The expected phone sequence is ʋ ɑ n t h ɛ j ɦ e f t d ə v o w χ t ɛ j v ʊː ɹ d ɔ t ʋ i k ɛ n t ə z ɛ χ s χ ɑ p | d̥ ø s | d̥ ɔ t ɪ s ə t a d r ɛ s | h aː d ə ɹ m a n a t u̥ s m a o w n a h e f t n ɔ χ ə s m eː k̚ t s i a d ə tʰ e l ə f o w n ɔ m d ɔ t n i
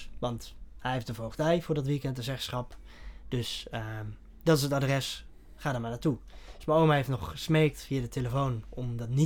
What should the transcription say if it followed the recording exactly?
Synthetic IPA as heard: ʋ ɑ n t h ɛ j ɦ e f t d ə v o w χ t ɛ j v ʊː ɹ d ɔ t ʋ i k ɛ n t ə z ɛ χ s χ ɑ p | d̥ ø s | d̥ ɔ t ɪ s ə t a d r ɛ s | χ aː d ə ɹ m a n a t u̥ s m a o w m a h e f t n ɔ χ ə s m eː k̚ t f i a d ə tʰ e l ə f o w n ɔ m d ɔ t n i